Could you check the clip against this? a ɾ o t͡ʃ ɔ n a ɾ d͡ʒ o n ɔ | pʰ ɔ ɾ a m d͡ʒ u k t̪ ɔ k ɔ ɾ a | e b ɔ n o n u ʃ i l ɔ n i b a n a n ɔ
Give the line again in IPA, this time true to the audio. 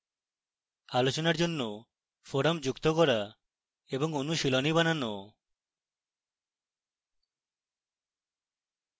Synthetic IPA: a l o t͡ʃ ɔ n a ɾ d͡ʒ o nː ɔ | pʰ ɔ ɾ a m d͡ʒ u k t̪ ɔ k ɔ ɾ a | e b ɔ ŋ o n u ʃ i l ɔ n i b a n a n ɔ